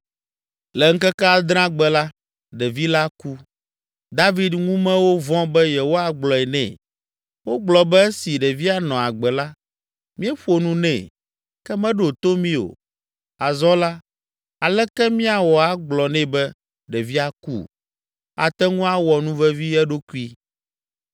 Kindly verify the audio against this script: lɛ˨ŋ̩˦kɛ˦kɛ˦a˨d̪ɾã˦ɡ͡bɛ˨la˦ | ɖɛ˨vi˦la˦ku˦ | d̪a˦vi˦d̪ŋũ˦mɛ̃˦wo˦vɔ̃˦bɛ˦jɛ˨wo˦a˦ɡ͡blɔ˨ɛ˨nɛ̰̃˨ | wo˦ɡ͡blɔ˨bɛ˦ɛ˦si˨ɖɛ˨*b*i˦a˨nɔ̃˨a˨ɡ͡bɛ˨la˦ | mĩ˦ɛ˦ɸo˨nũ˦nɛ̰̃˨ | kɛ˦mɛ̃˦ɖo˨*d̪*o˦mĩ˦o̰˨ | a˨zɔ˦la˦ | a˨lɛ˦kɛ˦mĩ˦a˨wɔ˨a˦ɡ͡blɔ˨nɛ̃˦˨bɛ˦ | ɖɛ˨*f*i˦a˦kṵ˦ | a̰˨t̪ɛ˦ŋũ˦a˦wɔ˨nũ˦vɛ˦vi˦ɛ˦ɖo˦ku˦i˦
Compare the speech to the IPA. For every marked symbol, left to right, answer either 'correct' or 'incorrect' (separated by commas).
incorrect, incorrect, incorrect